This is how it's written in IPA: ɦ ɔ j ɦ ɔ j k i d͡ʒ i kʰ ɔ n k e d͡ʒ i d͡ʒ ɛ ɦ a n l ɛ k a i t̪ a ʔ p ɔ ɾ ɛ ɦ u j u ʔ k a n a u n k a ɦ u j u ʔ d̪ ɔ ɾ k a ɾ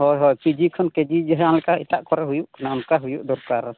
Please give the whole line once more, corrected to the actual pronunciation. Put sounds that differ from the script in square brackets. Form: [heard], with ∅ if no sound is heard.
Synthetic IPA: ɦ ɔ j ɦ ɔ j [p] i d͡ʒ i kʰ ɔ n k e d͡ʒ i d͡ʒ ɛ ɦ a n l ɛ k a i t̪ a ʔ [k] ɔ ɾ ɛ ɦ u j u ʔ k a n a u n k a ɦ u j u ʔ d̪ ɔ ɾ k a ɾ